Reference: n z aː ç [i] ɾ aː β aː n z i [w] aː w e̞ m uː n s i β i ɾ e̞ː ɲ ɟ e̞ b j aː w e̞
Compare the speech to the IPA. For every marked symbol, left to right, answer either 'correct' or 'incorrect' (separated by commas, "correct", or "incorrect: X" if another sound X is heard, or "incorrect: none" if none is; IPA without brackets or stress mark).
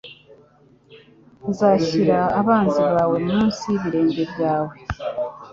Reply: correct, incorrect: β